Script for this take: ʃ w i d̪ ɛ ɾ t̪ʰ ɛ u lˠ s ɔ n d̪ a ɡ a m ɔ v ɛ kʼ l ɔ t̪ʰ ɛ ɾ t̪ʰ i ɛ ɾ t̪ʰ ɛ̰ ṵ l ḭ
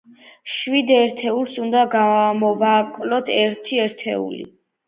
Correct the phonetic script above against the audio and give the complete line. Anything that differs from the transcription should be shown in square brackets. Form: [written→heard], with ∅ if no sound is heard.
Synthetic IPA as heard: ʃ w i d̪ ɛ ɾ t̪ʰ ɛ u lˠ s [ɔ→u] n d̪ a ɡ a m ɔ v [ɛ→a] kʼ l ɔ t̪ʰ ɛ ɾ t̪ʰ i ɛ ɾ t̪ʰ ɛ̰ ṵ l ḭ

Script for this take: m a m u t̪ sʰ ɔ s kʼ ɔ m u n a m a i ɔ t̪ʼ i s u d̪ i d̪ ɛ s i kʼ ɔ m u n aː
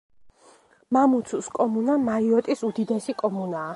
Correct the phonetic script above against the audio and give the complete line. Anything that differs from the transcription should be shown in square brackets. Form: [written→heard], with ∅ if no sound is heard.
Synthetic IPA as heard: m a m u t̪ sʰ [ɔ→u] s kʼ ɔ m u n a m a i ɔ t̪ʼ i s u d̪ i d̪ ɛ s i kʼ ɔ m u n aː

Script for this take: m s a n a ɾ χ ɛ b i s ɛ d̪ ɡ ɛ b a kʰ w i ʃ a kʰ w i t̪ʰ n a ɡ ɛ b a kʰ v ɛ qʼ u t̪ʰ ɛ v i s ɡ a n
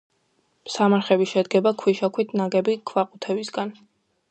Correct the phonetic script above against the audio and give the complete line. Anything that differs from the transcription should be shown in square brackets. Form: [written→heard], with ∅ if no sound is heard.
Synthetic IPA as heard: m s a [n→m] a ɾ χ ɛ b i [s→ʃ] ɛ d̪ ɡ ɛ b a kʰ w i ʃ a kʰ w i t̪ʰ n a ɡ ɛ b [a→i] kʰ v [ɛ→a] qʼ u t̪ʰ ɛ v i s ɡ a n

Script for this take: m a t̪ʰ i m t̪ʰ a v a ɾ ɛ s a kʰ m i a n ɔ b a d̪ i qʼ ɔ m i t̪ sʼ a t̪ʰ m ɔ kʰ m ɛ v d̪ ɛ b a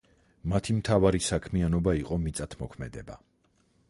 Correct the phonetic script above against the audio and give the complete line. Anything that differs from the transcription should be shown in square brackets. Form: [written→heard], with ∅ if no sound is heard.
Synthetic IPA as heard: m a t̪ʰ i m t̪ʰ a v a ɾ [ɛ→i] s a kʰ m i a n ɔ b a [d̪→∅] i qʼ ɔ m i t̪ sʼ a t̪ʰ m ɔ kʰ m ɛ [v→∅] d̪ ɛ b a

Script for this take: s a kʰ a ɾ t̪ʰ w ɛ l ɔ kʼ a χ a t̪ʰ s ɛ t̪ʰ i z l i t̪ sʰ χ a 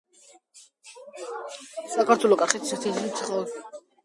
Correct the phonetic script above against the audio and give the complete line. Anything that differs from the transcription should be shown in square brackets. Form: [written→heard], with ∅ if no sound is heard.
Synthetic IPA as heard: s a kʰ a ɾ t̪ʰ w ɛ l ɔ kʼ a χ [a→ɛ] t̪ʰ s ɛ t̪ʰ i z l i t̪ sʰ χ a

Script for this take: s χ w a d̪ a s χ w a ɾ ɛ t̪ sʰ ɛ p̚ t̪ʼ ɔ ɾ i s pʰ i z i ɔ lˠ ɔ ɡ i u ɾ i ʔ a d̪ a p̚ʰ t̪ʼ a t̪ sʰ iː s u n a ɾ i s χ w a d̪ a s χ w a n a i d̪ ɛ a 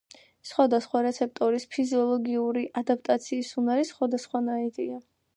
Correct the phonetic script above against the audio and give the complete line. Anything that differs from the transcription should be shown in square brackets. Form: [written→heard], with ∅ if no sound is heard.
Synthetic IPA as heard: s χ w a d̪ a s χ w a ɾ ɛ t̪ sʰ ɛ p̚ t̪ʼ ɔ ɾ i s pʰ i z i ɔ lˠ ɔ ɡ i u ɾ i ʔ a d̪ a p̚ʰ t̪ʼ a t̪ sʰ iː s u n a ɾ i s χ w a d̪ a s χ w a n a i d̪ [ɛ→i] a

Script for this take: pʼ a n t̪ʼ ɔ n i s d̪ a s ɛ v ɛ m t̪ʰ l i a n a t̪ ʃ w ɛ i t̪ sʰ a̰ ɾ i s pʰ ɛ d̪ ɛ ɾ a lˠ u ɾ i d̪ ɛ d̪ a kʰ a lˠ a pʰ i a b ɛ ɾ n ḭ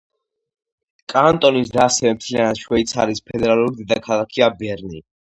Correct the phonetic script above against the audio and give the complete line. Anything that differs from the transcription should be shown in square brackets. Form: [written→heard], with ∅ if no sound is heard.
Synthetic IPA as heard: [pʼ→kʼ] a n t̪ʼ ɔ n i s d̪ a s ɛ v ɛ m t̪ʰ l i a n a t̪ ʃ w ɛ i t̪ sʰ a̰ ɾ i s pʰ ɛ d̪ ɛ ɾ a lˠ u ɾ i d̪ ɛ d̪ a kʰ a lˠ a [pʰ→kʰ] i a b ɛ ɾ n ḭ

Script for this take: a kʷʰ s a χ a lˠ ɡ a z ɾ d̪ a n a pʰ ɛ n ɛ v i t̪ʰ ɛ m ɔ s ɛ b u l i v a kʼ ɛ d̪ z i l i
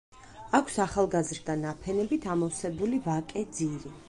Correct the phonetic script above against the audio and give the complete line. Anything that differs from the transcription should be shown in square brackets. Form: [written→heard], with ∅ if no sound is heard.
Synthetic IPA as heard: a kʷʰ s a χ a lˠ ɡ a z ɾ d̪ a n a pʰ ɛ n ɛ [v→b] i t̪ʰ [ɛ→a] m ɔ s ɛ b u l i v a kʼ ɛ d̪ z i [l→ɾ] i

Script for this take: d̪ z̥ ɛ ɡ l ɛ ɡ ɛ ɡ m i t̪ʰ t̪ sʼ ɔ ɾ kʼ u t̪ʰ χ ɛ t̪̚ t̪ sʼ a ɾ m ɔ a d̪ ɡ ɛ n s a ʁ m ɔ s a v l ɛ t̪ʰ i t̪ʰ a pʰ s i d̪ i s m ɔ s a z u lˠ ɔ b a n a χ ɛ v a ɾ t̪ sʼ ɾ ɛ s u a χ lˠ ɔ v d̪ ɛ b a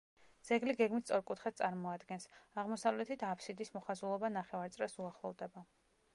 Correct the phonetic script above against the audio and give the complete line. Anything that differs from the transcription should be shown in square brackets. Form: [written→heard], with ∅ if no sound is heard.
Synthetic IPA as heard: d̪ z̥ ɛ ɡ l [ɛ→i] ɡ ɛ ɡ m i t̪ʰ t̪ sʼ ɔ ɾ kʼ u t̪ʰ χ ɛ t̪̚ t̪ sʼ a ɾ m ɔ a d̪ ɡ ɛ n s a ʁ m ɔ s a v l ɛ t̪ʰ i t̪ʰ a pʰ s i d̪ i s m ɔ [s→χ] a z u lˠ ɔ b a n a χ ɛ v a ɾ t̪ sʼ ɾ ɛ s u a χ lˠ ɔ v d̪ ɛ b a

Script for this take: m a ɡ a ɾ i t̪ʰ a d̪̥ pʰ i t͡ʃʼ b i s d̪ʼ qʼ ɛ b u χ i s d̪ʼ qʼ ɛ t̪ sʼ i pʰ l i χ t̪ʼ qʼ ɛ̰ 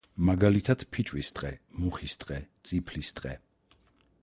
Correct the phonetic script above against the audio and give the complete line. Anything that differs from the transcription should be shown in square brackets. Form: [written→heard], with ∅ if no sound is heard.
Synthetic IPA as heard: m a ɡ a [ɾ→l] i t̪ʰ a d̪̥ pʰ i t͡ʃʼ [b→w] i s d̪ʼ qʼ ɛ [b→m] u χ i s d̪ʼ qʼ ɛ t̪ sʼ i pʰ l i [χ→s] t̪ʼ qʼ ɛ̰

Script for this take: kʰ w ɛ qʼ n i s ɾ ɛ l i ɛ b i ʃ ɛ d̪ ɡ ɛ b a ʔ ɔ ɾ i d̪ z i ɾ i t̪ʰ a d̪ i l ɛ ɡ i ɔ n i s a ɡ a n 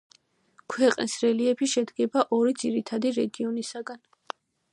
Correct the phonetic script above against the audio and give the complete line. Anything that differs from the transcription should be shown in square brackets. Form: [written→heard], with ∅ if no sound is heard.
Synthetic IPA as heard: kʰ w ɛ qʼ n i s ɾ ɛ l i ɛ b i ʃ ɛ d̪ ɡ ɛ b a ʔ ɔ ɾ i d̪ z i ɾ i t̪ʰ a d̪ i [l→ɾ] ɛ ɡ i ɔ n i s a ɡ a n

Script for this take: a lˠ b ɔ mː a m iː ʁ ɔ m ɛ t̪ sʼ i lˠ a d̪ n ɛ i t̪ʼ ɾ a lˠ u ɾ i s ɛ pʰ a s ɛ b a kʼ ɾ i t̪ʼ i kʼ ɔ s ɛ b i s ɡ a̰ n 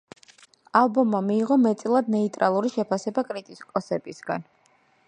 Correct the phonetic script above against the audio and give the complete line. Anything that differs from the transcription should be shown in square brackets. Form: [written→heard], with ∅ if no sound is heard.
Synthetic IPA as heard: a lˠ b ɔ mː a m iː ʁ ɔ m ɛ t̪ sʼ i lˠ a d̪ n ɛ i t̪ʼ ɾ a lˠ u ɾ i [s→ʃ] ɛ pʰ a s ɛ b a kʼ ɾ i t̪ʼ i kʼ ɔ s ɛ b i s ɡ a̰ n

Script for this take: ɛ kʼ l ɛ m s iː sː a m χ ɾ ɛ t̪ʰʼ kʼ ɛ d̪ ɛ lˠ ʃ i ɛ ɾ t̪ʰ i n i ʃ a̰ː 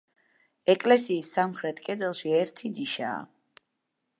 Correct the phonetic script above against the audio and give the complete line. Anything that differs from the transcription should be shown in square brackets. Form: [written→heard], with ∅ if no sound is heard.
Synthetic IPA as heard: ɛ kʼ l ɛ [m→∅] s iː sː a m χ ɾ ɛ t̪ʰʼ kʼ ɛ d̪ ɛ lˠ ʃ i ɛ ɾ t̪ʰ i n i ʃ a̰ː

